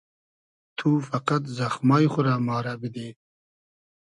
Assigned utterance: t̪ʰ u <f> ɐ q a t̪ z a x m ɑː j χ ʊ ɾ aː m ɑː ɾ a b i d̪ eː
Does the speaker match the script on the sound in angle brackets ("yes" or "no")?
yes